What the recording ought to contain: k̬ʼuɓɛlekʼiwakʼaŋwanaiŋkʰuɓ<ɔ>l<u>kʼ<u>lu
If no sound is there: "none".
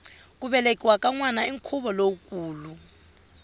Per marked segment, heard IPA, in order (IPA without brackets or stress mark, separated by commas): ɔ, o, uː